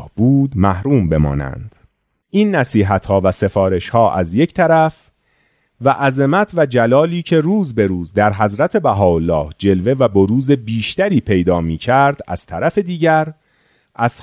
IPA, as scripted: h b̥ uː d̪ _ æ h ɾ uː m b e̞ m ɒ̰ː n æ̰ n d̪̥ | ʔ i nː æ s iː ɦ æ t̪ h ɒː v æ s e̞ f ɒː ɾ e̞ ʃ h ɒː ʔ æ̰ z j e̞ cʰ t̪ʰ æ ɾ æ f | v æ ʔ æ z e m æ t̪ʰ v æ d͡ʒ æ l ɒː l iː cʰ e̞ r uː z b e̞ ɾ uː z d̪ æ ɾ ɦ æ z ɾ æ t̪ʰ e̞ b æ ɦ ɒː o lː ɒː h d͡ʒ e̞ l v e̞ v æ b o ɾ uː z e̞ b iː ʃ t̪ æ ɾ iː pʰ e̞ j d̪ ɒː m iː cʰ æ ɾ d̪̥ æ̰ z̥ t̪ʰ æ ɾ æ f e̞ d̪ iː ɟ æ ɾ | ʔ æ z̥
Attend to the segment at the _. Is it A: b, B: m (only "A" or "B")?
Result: B